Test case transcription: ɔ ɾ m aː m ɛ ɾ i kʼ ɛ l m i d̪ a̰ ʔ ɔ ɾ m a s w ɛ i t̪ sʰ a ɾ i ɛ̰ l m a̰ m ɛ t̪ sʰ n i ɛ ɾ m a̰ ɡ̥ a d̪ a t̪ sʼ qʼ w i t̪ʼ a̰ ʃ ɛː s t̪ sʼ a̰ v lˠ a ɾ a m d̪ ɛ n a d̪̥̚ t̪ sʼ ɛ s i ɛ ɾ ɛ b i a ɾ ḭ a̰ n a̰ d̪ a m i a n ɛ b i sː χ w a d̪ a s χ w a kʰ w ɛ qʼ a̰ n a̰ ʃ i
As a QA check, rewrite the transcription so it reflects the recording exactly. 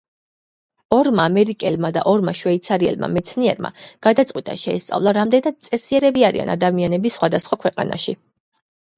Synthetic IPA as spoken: ɔ ɾ m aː m ɛ ɾ i kʼ ɛ l m a d̪ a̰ ʔ ɔ ɾ m a ʃ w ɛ i t̪ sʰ a ɾ i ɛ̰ l m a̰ m ɛ t̪ sʰ n i ɛ ɾ m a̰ ɡ̥ a d̪ a t̪ sʼ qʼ w i t̪ʼ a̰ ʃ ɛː s t̪ sʼ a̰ v lˠ a ɾ a m d̪ ɛ n a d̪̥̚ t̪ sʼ ɛ s i ɛ ɾ ɛ b i a ɾ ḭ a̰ n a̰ d̪ a m i a n ɛ b i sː χ w a d̪ a s χ w a kʰ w ɛ qʼ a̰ n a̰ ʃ i

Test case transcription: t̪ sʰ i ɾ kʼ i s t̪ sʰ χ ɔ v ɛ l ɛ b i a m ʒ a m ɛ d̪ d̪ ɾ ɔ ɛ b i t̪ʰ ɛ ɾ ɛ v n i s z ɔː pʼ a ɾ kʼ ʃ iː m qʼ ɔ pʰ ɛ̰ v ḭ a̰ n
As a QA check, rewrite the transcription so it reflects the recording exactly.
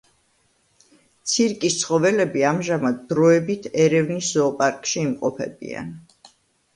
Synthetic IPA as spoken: t̪ sʰ i ɾ kʼ i s t̪ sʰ χ ɔ v ɛ l ɛ b i a m ʒ a m a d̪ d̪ ɾ ɔ ɛ b i t̪ʰ ɛ ɾ ɛ v n i s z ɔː pʼ a ɾ kʼ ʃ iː m qʼ ɔ pʰ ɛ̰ b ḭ a̰ n

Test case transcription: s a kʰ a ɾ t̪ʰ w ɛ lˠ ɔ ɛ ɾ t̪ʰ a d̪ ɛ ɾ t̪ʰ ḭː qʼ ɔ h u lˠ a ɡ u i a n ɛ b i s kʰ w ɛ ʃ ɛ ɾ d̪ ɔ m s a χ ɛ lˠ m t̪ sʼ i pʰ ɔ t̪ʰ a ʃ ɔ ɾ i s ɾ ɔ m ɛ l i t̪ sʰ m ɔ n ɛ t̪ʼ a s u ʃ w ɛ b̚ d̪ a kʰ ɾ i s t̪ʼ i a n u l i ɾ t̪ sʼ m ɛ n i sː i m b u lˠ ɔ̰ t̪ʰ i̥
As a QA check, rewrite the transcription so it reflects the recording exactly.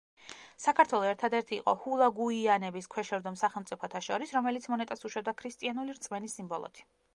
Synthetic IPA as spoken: s a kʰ a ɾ t̪ʰ w ɛ lˠ ɔ ɛ ɾ t̪ʰ a d̪ ɛ ɾ t̪ʰ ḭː qʼ ɔ h u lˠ a ɡ u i a n ɛ b i s kʰ w ɛ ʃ ɛ ɾ d̪ ɔ m s a χ ɛ lˠ m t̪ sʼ i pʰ ɔ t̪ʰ a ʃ ɔ ɾ i s ɾ ɔ m ɛ l i t̪ sʰ m ɔ n ɛ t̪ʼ a s u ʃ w ɛ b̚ d̪ a kʰ ɾ i s t̪ʼ i a n u l i ɾ t̪ sʼ m ɛ n i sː i m b ɔ lˠ ɔ̰ t̪ʰ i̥

